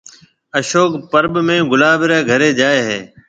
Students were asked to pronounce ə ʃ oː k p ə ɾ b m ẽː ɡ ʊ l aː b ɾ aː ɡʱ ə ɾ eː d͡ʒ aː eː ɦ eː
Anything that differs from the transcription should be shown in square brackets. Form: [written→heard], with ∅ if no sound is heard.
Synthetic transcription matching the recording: ə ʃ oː k p ə ɾ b m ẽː ɡ ʊ l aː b ɾ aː ɡʱ ə ɾ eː d͡ʒ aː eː ɦ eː